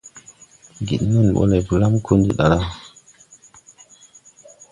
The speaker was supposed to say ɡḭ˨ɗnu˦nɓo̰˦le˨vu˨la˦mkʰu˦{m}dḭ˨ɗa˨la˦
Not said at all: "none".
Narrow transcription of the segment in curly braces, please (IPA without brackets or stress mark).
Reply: n